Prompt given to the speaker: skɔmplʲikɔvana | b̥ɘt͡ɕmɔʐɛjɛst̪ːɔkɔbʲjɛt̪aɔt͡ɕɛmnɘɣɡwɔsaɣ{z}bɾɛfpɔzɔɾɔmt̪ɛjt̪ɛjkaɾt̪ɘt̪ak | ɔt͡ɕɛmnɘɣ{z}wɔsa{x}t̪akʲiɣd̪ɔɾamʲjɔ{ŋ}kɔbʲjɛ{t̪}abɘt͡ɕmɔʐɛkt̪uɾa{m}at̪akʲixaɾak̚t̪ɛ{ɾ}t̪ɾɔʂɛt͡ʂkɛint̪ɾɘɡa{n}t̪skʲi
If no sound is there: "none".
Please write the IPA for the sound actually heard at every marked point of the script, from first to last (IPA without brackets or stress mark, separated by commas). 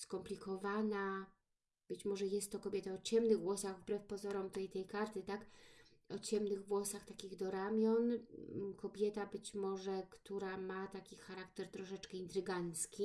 v, v, x, n, t̪, m, ɾ, n